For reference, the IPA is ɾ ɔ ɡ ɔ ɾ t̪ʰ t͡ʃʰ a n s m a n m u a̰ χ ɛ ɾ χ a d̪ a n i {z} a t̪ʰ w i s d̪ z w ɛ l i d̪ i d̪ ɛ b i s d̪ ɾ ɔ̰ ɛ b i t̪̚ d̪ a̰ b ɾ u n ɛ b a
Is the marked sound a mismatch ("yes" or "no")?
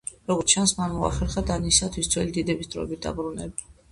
yes